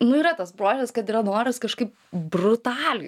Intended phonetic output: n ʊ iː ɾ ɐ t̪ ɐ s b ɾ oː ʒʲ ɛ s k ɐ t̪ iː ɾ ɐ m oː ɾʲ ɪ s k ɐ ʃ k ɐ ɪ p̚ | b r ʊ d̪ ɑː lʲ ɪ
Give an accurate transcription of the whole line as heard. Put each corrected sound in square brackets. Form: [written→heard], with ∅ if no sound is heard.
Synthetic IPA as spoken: n ʊ iː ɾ ɐ t̪ ɐ s b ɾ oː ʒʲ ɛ s k ɐ t̪ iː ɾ ɐ [m→n] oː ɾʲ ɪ s k ɐ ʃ k ɐ ɪ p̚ | b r ʊ [d̪→t̪] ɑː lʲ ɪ